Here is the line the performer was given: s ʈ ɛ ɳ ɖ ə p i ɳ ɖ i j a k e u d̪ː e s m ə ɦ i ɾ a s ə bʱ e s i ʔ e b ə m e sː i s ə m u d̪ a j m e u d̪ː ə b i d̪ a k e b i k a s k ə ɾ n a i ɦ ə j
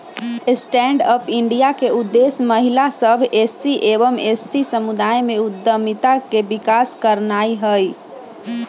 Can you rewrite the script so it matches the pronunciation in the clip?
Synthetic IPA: s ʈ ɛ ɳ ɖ ə p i ɳ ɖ i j a k e u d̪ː e s m ə ɦ i l a s ə bʱ e s i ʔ e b ə m e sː i s ə m u d̪ a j m e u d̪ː ə m i t̪ a k e b i k a s k ə ɾ n a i ɦ ə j